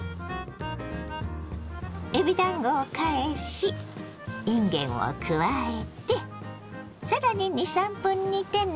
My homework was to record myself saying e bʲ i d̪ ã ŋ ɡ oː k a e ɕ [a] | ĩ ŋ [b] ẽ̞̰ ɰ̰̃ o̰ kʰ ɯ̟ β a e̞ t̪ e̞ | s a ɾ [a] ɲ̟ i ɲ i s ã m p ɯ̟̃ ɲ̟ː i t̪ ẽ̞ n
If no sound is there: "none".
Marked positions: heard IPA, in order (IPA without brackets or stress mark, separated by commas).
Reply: i, ɡ, a